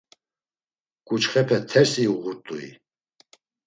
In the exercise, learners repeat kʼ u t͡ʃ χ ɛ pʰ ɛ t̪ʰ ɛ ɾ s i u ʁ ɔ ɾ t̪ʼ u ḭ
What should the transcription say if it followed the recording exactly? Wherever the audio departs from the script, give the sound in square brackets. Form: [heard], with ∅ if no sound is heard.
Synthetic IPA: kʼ u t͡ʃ χ ɛ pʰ ɛ t̪ʰ ɛ ɾ s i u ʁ [u] ɾ t̪ʼ u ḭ